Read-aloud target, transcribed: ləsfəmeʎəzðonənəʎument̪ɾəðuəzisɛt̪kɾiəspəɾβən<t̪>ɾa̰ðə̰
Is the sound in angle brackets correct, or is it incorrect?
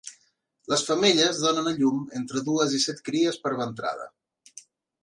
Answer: correct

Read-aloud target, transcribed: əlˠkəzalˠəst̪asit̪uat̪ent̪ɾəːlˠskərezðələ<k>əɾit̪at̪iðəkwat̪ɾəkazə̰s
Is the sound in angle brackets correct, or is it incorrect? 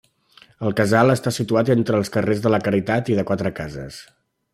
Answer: correct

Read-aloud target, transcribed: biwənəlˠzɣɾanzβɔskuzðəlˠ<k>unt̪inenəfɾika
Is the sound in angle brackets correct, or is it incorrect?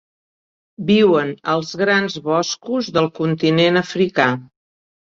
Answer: correct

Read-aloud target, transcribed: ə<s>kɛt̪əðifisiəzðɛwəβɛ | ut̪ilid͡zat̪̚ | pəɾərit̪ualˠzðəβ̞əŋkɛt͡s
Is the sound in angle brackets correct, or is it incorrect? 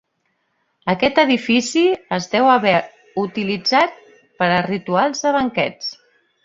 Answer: incorrect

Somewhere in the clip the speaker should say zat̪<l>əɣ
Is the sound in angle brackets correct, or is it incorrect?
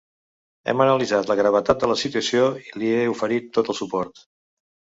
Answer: correct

